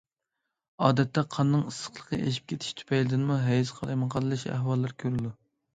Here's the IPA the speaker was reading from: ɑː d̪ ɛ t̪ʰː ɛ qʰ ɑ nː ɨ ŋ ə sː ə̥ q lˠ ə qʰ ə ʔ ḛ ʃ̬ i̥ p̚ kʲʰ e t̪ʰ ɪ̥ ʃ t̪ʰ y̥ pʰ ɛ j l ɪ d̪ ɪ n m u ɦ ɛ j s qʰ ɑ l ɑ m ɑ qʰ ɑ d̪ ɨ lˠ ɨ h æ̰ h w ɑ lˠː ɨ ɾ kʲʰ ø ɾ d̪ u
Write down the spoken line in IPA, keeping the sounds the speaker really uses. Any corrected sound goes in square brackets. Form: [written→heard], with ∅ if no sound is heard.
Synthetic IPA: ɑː d̪ ɛ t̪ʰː ɛ qʰ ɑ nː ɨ ŋ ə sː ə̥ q lˠ ə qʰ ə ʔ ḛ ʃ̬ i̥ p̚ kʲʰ e t̪ʰ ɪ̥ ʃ t̪ʰ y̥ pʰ ɛ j l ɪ d̪ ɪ n m u ɦ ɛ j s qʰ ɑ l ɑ m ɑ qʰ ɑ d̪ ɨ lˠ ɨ [h→ʃ] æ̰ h w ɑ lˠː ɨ ɾ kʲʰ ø ɾ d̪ u